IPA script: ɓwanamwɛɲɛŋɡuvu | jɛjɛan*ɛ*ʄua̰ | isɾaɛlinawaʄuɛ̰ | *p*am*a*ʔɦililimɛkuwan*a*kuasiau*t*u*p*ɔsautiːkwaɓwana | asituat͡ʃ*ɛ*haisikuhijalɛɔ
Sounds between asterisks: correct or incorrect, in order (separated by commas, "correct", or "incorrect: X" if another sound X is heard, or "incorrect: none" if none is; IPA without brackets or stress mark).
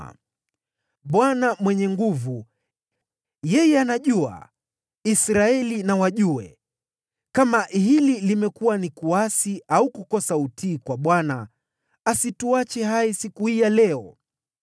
incorrect: a, incorrect: k, correct, incorrect: i, incorrect: k, incorrect: k, correct